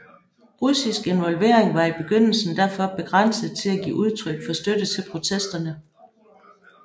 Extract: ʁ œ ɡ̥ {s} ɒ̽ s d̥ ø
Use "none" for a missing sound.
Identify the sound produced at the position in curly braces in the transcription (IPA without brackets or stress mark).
f